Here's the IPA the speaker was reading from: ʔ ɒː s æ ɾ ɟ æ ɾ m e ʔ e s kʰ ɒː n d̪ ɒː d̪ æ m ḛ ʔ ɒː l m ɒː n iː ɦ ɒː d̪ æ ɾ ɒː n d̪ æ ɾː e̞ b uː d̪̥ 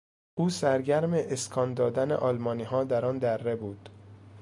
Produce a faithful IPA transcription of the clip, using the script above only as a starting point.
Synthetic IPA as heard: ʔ uː s æ ɾ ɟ æ ɾ m e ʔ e s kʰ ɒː n d̪ ɒː d̪ æ n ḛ ʔ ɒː l m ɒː n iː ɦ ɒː d̪ æ ɾ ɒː n d̪ æ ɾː e̞ b uː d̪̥